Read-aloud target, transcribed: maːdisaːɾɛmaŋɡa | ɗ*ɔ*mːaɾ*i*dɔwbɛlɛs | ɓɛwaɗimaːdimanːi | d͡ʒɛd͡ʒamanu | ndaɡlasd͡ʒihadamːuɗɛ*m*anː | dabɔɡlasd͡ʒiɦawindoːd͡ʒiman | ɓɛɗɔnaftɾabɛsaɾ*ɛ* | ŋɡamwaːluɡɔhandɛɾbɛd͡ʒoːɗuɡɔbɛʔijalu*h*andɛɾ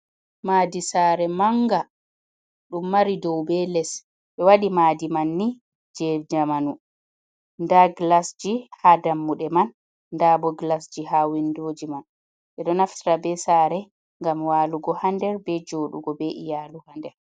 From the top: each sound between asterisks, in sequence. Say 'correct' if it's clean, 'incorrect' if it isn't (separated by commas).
incorrect, correct, correct, correct, correct